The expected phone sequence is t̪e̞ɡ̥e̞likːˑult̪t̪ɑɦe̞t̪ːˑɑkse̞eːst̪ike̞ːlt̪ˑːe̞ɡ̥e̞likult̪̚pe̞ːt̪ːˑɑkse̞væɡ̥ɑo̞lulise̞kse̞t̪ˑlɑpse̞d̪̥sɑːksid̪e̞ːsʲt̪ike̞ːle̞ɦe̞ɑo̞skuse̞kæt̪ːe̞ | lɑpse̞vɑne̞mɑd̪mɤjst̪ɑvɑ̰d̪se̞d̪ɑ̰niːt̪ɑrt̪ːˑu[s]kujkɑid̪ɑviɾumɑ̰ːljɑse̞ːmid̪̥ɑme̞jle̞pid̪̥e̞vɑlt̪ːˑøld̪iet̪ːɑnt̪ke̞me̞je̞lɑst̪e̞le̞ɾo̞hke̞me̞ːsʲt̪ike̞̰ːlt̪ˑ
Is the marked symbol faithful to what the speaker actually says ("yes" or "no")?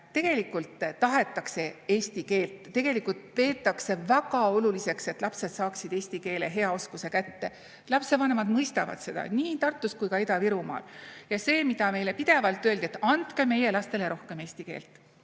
yes